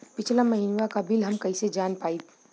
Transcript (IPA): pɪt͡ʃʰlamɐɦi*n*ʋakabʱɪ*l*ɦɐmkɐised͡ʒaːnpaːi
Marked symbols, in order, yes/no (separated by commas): yes, yes